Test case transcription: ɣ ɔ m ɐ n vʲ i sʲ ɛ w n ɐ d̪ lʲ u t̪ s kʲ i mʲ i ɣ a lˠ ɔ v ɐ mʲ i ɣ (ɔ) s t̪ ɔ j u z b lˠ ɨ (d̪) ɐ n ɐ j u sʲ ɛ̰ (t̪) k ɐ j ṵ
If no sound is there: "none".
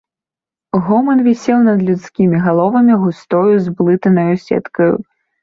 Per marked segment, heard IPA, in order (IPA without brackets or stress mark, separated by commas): u, t̪, t̪